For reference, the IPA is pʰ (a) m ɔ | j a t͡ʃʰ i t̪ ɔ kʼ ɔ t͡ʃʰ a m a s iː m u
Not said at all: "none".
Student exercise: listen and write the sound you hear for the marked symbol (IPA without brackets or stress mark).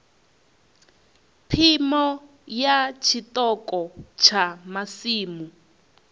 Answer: i